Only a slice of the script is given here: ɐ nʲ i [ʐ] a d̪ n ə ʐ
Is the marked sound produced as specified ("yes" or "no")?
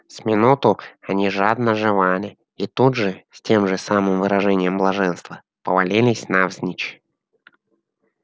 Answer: yes